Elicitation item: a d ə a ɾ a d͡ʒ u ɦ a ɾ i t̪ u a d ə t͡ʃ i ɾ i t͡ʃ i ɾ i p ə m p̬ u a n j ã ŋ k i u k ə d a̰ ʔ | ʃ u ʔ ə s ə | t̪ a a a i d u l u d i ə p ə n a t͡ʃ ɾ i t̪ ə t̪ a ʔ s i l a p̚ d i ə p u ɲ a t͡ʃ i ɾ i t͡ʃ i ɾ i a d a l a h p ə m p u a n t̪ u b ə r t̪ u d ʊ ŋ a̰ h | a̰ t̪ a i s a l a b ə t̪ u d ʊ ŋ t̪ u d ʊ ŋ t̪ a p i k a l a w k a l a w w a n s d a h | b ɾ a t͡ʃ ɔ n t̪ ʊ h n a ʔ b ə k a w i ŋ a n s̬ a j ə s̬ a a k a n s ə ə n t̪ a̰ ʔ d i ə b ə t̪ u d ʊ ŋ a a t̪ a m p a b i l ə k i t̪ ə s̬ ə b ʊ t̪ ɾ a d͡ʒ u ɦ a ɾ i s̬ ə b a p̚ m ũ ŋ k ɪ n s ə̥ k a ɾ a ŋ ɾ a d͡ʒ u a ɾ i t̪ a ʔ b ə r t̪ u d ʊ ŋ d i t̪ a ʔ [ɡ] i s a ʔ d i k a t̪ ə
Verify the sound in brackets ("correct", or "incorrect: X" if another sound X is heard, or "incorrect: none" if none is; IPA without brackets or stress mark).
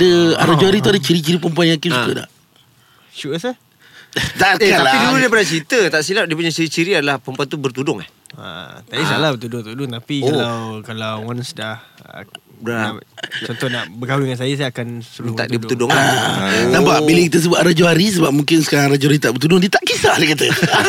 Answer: incorrect: k